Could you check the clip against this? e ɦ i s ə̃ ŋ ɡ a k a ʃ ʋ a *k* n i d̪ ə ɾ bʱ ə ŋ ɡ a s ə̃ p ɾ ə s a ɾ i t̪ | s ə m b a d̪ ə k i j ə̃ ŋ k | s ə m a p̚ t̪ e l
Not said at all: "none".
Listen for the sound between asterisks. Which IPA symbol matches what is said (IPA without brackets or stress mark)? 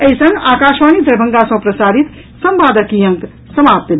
none